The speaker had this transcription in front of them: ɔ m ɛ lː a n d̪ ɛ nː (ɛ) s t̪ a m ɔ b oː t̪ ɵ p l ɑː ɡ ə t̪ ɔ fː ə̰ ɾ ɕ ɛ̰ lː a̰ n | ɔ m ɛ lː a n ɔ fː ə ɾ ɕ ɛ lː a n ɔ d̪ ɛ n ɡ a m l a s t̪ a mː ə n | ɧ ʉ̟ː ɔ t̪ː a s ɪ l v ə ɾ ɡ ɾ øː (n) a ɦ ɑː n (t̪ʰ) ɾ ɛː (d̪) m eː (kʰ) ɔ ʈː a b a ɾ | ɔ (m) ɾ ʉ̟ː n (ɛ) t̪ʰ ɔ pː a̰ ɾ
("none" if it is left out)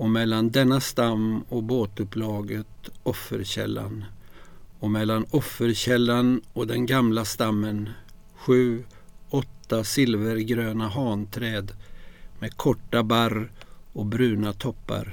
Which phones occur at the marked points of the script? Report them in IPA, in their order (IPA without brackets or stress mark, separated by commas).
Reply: a, n, t̪ʰ, d̪, kʰ, b, a